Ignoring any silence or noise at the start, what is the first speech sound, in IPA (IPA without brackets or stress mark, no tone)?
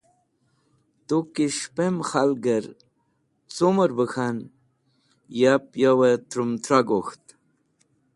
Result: t̪